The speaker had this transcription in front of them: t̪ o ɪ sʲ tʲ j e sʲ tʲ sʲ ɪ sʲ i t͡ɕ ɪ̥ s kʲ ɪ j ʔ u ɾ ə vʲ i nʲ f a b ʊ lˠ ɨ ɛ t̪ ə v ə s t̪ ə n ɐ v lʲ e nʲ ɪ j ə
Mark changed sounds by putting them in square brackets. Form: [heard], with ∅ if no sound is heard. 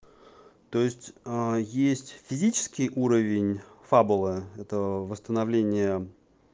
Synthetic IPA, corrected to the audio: t̪ o ɪ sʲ tʲ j e sʲ tʲ [fʲ] ɪ [zʲ] i t͡ɕ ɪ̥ s kʲ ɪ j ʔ u ɾ ə vʲ [ɪ] nʲ f a b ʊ lˠ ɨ ɛ t̪ ə v ə s t̪ ə n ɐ v lʲ e nʲ ɪ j ə